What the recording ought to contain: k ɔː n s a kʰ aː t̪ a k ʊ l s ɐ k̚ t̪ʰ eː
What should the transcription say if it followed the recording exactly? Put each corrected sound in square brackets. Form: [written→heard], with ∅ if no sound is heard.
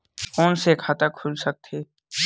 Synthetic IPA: k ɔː n s [a→e] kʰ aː t̪ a [k→kʰ] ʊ l s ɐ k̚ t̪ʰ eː